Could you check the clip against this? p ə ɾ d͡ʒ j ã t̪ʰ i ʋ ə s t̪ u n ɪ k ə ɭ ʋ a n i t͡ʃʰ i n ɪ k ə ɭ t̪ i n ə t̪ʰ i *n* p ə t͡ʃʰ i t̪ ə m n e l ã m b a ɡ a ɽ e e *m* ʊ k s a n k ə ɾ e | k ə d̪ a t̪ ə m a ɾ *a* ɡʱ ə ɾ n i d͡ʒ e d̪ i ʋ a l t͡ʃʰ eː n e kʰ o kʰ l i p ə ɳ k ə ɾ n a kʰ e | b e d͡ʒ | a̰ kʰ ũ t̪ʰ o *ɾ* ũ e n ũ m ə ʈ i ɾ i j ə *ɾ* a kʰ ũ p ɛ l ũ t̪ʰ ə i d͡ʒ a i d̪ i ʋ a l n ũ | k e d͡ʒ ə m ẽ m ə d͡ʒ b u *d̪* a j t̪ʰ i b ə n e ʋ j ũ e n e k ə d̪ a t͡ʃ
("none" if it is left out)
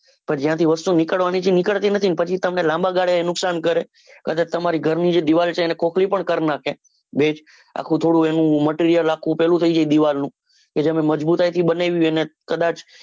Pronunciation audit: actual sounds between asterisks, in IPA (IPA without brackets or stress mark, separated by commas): n, n, i, ɽ, l, t̪